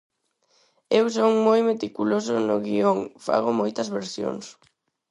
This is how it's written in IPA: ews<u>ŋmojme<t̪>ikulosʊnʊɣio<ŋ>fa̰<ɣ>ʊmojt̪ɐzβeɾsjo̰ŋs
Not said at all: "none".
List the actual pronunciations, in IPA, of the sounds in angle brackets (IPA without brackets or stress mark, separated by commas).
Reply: o, t̪, ŋ, ɣ